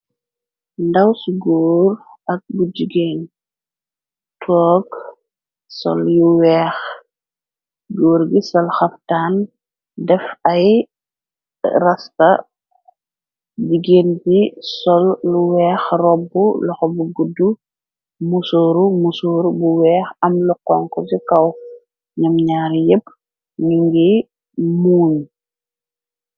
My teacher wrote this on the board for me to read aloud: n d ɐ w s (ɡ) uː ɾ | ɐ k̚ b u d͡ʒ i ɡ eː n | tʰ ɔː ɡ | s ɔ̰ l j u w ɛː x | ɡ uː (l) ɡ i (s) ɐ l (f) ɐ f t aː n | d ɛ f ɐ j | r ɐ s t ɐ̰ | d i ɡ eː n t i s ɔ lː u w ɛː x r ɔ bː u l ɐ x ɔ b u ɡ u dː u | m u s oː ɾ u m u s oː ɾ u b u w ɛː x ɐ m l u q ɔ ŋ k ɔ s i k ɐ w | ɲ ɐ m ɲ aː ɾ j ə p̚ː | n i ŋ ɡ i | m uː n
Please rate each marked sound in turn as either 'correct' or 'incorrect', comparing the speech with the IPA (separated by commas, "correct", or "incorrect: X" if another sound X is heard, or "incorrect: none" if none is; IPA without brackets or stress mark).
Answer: correct, incorrect: ɾ, correct, incorrect: x